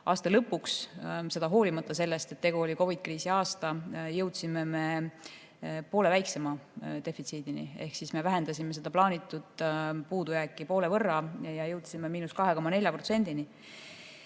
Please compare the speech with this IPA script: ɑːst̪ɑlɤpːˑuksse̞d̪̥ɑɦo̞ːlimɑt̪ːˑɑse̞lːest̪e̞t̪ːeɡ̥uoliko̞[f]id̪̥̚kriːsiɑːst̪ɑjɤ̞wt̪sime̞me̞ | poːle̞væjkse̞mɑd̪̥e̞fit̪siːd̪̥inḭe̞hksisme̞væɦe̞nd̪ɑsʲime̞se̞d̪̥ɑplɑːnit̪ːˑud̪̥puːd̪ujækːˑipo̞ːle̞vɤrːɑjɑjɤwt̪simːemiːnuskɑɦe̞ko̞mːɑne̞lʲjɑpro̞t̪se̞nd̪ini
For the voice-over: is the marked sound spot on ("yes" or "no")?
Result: no